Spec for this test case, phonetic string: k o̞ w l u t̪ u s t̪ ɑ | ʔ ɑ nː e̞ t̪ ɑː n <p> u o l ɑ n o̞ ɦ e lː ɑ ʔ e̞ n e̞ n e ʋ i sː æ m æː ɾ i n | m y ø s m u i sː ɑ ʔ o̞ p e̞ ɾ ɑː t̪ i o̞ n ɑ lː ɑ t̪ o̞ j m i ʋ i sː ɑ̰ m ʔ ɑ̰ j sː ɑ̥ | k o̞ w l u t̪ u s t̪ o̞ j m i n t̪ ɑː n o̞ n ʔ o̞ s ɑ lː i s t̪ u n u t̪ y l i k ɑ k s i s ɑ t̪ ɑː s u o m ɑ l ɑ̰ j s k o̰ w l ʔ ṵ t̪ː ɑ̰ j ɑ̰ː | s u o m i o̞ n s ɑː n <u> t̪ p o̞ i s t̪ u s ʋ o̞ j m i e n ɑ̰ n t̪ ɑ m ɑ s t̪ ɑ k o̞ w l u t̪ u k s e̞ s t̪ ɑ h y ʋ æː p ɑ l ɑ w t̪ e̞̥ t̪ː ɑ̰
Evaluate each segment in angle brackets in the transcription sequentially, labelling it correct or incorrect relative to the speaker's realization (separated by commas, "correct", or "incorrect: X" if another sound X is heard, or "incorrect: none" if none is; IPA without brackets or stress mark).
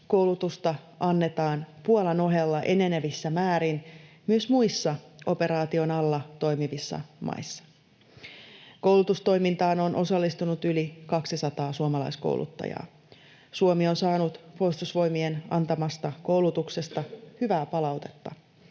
correct, correct